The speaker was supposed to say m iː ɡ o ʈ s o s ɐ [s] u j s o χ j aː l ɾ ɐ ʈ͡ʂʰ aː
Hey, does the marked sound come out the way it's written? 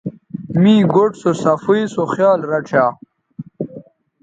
no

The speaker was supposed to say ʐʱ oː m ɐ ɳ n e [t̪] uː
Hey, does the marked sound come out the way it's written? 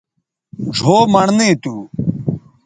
yes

